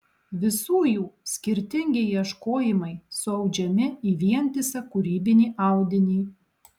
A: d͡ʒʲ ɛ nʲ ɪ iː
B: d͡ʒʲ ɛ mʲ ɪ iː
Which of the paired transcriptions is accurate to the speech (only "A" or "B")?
B